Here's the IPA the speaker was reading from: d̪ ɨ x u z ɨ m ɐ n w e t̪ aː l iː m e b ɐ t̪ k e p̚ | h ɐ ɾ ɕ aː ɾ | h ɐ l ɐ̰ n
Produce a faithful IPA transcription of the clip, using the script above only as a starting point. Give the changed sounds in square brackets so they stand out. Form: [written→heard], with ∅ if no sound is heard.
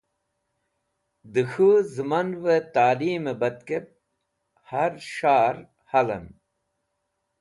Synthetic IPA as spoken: d̪ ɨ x u z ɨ m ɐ n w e t̪ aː l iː m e b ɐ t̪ k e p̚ | h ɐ ɾ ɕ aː ɾ | h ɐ l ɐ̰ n